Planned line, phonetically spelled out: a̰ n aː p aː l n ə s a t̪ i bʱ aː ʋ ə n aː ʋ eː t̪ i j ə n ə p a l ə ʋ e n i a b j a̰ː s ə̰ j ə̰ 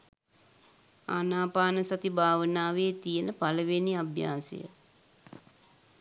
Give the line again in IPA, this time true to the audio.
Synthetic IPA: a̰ n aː p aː n ə s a t̪ i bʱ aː ʋ ə n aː ʋ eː t̪ i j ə n ə p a l ə ʋ e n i a b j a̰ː s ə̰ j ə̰

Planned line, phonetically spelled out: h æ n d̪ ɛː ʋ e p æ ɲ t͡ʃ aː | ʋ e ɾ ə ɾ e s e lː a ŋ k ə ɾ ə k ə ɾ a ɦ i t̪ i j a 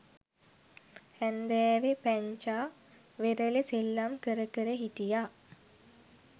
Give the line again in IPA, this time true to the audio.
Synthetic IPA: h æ n d̪ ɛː ʋ e p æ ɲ t͡ʃ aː | ʋ e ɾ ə l e s e lː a m k ə ɾ ə k ə ɾ ə ɦ i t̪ i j a

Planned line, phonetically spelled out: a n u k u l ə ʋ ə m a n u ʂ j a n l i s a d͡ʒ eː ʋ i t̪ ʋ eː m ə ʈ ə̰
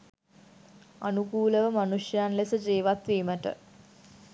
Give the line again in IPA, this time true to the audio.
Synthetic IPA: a n u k uː l ə ʋ ə m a n u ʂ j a n l e s ə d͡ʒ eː ʋ a t̪ ʋ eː m ə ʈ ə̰

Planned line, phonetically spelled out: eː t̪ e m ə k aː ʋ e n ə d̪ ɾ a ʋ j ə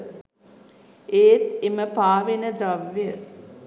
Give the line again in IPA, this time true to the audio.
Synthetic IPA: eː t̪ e m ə p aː ʋ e n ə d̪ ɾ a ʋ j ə

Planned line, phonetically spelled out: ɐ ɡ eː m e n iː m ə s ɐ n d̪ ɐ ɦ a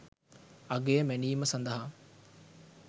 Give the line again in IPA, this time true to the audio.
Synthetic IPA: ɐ ɡ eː m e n iː m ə s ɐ n d̪ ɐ ɦ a

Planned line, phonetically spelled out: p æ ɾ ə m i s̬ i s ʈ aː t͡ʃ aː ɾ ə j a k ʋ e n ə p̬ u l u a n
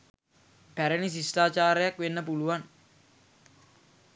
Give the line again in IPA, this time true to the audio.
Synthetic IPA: p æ ɾ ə n i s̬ i s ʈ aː t͡ʃ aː ɾ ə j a k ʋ e nː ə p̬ u l u a n

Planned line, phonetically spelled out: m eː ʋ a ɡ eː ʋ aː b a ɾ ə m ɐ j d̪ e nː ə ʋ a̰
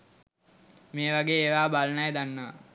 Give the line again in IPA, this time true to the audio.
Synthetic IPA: m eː ʋ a ɡ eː ʋ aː b a l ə n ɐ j d̪ a nː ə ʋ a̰

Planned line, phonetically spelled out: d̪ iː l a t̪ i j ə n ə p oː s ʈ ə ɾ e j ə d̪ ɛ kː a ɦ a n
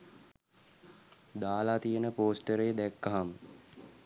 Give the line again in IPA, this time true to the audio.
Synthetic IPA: d̪ aː l a t̪ i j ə n ə p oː s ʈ ə ɾ e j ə d̪ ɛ kː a ɦ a m

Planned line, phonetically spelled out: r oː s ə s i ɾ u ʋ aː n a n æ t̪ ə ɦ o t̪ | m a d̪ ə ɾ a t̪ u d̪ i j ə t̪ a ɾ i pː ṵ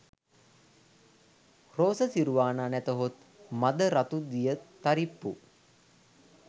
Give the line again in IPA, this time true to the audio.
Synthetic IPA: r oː s ə s i ɾ u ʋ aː n a n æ t̪ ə ɦ o t̪ | m a d̪ ə ɾ a t̪ u d̪ i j ə t̪ a ɾ i pː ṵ

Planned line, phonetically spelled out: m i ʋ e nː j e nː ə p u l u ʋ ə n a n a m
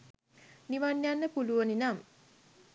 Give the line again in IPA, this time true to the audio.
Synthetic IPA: n i ʋ a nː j a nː ə p u l u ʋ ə n i n a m

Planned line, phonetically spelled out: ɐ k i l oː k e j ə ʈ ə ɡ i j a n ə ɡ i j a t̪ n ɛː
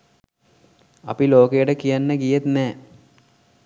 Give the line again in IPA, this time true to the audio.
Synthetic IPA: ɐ p i l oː k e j ə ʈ ə k i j a nː ə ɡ i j e t̪ n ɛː

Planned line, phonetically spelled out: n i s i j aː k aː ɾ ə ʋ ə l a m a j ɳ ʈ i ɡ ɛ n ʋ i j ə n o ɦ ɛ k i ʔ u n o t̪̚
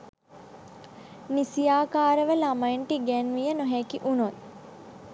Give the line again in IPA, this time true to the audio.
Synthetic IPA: n i s i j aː k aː ɾ ə ʋ ə l a m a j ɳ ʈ i ɡ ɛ n ʋ i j ə n o ɦ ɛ k i ʔ u n o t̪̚

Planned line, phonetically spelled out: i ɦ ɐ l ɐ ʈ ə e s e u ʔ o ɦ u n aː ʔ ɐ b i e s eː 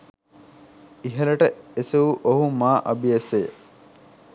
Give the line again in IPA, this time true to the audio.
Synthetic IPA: i ɦ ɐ l ɐ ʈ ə e s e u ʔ o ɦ u m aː ʔ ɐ b i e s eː

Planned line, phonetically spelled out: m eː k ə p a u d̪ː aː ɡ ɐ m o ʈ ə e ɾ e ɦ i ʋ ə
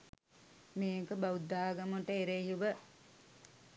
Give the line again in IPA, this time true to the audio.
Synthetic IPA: m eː k ə b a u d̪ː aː ɡ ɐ m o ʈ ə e ɾ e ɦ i ʋ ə

